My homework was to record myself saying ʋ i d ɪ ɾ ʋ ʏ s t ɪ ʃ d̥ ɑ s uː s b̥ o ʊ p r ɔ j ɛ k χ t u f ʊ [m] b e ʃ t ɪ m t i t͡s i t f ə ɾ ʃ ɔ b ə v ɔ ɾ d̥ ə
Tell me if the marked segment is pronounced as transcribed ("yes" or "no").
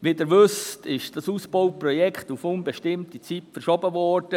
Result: no